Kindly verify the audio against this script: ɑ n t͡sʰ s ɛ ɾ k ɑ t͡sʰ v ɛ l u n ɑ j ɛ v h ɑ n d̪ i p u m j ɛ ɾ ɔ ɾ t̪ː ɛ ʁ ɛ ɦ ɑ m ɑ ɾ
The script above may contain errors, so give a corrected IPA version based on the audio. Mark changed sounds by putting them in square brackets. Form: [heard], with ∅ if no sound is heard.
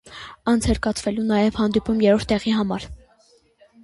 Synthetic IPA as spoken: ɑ n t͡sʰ [h] ɛ ɾ k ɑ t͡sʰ v ɛ l u n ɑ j ɛ v h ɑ n d̪ i p u m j ɛ ɾ ɔ ɾ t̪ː ɛ ʁ [i] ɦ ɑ m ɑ ɾ